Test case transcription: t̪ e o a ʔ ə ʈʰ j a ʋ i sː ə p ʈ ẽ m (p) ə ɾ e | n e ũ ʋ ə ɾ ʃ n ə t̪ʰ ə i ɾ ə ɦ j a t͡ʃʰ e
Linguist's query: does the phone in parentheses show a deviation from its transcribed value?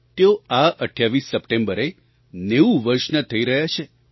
yes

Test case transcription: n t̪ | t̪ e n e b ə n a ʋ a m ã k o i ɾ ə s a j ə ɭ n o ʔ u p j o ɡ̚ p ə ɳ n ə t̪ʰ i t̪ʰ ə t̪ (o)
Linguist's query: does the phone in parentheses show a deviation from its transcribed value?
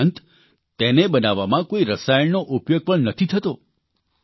no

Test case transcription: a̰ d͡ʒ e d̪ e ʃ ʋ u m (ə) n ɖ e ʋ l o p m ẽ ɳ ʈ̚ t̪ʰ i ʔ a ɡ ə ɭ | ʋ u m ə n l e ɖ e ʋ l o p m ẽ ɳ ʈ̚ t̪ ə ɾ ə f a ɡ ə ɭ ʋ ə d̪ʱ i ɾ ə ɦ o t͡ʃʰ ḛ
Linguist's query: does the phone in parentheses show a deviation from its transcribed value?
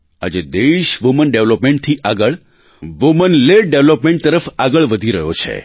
no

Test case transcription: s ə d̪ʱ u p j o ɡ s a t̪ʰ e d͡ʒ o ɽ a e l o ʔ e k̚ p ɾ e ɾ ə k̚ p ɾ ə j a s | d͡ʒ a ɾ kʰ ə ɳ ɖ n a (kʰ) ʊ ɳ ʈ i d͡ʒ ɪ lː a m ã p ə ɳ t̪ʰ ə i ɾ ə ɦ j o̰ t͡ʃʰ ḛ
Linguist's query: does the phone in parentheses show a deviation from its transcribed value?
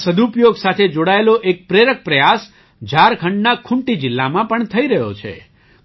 no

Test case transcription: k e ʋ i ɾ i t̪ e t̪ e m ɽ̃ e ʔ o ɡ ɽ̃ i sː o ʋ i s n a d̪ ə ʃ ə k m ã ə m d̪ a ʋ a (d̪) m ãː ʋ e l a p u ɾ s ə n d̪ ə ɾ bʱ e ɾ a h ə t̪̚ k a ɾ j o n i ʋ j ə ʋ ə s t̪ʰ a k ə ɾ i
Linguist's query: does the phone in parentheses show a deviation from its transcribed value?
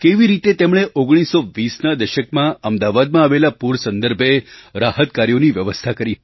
no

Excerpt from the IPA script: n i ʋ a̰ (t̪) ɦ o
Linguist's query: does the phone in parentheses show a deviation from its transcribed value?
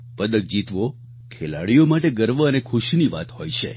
no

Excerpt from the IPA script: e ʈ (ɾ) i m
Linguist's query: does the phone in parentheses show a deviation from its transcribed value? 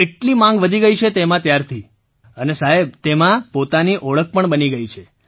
yes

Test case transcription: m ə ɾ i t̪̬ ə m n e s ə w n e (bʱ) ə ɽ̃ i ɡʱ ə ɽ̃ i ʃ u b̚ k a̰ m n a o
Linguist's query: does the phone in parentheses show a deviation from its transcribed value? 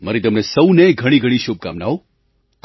yes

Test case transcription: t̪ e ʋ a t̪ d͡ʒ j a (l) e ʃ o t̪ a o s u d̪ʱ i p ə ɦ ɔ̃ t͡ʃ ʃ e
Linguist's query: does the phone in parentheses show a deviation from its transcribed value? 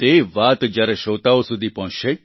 yes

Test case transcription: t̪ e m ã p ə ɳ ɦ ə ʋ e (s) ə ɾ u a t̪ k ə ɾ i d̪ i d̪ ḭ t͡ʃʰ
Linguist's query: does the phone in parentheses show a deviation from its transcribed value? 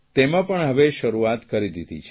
yes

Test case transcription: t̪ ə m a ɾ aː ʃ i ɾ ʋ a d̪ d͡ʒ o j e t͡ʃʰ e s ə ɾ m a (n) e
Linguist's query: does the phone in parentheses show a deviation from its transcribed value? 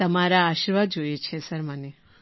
no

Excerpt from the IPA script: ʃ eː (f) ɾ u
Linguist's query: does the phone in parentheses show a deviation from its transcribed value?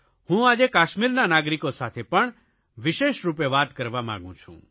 yes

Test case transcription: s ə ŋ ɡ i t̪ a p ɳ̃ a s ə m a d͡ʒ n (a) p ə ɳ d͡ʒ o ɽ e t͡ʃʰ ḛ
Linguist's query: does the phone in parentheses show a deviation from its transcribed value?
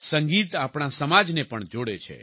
yes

